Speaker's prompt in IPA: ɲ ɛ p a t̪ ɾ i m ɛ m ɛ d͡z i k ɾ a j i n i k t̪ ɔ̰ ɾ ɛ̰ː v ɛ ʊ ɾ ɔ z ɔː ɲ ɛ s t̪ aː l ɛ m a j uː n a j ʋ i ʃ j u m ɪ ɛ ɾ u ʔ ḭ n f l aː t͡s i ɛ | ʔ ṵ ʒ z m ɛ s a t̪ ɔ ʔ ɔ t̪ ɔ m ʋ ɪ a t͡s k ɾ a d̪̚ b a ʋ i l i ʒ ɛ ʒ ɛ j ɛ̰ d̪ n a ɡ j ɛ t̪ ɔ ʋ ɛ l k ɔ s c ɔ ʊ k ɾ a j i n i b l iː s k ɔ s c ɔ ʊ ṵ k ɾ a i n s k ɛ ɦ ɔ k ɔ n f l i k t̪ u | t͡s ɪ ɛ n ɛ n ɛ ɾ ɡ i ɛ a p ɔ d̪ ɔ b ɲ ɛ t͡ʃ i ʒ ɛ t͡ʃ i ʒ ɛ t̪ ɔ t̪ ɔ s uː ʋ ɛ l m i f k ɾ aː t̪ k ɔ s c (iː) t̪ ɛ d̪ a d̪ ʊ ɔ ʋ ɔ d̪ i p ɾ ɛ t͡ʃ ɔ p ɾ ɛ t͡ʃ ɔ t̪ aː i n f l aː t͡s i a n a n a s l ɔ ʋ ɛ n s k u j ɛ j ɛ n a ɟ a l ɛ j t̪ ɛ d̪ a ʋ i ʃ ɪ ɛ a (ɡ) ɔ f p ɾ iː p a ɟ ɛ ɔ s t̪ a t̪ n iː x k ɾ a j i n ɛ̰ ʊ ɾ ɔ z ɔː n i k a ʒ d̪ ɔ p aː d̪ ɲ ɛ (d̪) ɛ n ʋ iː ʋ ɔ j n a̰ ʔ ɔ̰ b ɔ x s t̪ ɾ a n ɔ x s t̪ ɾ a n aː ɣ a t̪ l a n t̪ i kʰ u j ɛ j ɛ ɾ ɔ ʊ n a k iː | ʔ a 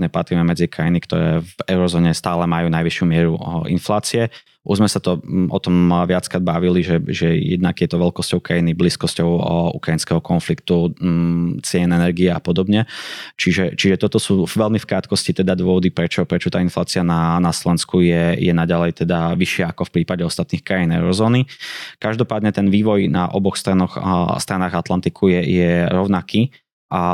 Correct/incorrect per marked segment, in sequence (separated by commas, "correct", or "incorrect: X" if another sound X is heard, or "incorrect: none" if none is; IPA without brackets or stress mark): incorrect: i, incorrect: k, incorrect: t̪